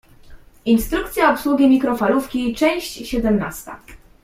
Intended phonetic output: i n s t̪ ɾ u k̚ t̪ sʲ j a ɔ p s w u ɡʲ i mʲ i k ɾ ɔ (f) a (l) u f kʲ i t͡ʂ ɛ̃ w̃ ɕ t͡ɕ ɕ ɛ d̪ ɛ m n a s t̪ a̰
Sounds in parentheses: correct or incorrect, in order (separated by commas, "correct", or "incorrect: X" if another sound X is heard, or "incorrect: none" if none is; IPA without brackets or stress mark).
correct, correct